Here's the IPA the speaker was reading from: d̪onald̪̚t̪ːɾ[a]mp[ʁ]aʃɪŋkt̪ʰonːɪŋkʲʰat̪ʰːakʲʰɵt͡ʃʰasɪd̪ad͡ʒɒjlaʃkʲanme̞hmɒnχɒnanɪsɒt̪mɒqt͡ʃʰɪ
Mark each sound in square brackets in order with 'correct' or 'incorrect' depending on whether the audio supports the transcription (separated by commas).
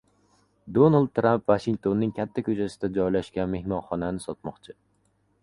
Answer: correct, incorrect